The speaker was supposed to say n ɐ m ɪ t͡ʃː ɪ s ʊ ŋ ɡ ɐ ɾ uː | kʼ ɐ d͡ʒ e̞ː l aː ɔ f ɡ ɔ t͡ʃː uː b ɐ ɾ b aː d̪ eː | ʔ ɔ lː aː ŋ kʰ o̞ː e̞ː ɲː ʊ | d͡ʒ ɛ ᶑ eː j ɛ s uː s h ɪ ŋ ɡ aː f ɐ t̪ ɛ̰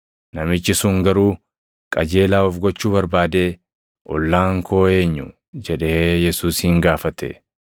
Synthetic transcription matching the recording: n ɐ m ɪ t͡ʃː ɪ s ʊ ŋ ɡ ɐ ɾ uː | kʼ ɐ d͡ʒ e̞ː l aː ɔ f ɡ ɔ t͡ʃː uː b ɐ ɾ b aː d̪ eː | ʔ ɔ lː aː ŋ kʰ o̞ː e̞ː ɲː ʊ | d͡ʒ ɛ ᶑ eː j ɛ s uː s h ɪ ŋ ɡ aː f ɐ t̪ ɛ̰